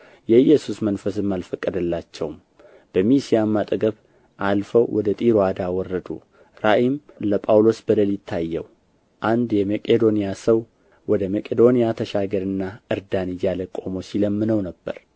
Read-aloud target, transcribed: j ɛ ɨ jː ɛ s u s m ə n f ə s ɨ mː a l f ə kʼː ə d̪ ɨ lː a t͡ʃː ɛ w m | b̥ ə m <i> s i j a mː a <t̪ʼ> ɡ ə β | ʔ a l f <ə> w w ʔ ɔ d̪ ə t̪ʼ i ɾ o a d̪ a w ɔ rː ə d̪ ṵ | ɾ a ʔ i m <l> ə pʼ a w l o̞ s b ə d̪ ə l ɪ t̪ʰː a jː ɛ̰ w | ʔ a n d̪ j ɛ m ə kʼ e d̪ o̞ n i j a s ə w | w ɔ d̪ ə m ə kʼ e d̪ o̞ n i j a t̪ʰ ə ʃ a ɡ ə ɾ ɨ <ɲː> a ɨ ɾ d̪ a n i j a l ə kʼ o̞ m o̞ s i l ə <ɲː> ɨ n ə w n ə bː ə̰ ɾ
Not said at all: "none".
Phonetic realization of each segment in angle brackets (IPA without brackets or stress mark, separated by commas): i, t̪ʼ, ə, l, nː, mː